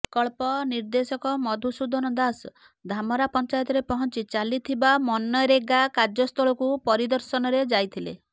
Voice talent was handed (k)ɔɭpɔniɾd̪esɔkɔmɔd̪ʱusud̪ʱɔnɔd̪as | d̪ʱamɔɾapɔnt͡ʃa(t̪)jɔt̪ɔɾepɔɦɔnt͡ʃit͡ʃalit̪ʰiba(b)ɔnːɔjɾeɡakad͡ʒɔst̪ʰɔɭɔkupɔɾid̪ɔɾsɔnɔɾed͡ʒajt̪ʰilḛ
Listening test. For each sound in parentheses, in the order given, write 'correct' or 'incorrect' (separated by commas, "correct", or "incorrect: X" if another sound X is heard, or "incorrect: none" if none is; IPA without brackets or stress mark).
correct, incorrect: none, incorrect: m